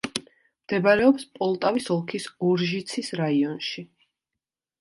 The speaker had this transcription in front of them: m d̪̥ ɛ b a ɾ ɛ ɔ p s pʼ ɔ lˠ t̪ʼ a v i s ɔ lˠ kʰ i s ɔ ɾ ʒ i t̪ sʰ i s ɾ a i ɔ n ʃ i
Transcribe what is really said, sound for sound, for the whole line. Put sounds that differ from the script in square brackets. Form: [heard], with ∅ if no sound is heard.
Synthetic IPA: m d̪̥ ɛ b a ɾ ɛ ɔ p s pʼ ɔ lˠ t̪ʼ a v i s ɔ lˠ kʰ i s ɔ ɾ ʒ i t̪ sʰ i s ɾ a i ɔ n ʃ i